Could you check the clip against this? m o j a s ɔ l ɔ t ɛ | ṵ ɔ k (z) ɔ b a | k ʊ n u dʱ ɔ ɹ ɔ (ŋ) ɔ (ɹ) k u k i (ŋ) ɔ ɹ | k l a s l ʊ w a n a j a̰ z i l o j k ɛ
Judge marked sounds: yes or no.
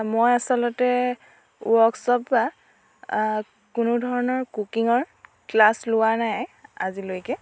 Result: no, no, yes, yes

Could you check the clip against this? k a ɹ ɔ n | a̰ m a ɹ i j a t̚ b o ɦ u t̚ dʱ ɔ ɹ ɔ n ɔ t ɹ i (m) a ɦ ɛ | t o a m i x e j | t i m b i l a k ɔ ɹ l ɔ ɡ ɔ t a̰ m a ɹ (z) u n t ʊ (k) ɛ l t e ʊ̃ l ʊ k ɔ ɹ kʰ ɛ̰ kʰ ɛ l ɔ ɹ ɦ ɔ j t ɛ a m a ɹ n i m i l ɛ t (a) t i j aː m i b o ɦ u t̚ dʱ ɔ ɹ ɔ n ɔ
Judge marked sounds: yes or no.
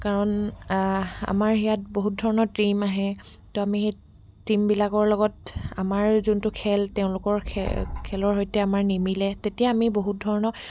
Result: yes, yes, no, no

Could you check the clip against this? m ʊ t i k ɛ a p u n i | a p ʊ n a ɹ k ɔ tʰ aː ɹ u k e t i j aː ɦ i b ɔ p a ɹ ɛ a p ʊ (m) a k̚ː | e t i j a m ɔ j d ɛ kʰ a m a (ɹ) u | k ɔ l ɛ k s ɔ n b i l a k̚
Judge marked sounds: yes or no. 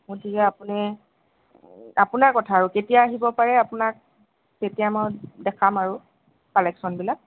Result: no, yes

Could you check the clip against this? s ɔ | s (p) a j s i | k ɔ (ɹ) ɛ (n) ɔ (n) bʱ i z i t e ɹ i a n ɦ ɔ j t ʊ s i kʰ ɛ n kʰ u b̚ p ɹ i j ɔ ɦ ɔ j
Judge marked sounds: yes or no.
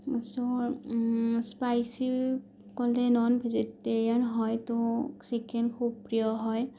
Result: yes, no, yes, yes

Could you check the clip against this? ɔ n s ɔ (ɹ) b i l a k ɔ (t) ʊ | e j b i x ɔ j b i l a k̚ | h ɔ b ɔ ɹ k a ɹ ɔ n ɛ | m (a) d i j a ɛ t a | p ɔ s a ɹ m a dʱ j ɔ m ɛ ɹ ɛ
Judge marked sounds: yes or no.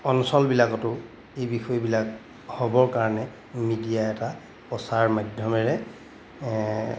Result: no, yes, no

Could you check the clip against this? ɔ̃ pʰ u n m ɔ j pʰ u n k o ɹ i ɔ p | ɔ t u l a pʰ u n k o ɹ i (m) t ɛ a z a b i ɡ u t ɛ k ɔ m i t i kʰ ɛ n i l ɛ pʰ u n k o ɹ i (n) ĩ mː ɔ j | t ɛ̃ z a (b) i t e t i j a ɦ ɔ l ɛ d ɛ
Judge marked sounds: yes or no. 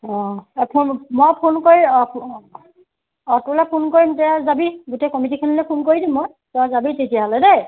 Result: yes, no, yes

